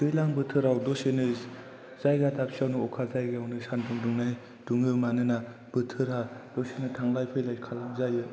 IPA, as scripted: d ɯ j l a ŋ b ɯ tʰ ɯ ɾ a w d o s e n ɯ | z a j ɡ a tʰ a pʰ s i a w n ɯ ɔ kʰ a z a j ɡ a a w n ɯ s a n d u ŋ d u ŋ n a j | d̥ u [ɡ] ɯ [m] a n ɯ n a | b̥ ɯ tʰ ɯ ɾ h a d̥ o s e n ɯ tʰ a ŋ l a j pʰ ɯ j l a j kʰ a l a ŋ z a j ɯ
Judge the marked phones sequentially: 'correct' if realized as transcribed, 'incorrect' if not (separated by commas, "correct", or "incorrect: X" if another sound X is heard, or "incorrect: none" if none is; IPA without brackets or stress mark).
incorrect: ŋ, correct